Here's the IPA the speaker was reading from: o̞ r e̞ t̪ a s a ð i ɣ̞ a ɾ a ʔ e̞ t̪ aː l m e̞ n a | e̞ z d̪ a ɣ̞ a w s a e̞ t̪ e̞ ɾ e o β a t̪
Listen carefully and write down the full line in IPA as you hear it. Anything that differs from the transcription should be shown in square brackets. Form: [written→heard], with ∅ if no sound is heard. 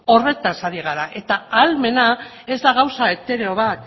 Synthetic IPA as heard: o̞ r e̞ t̪ a s a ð i ɣ̞ a ɾ a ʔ e̞ t̪ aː l m e̞ n a | e̞ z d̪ a ɣ̞ a w s a e̞ t̪ e̞ ɾ e o β a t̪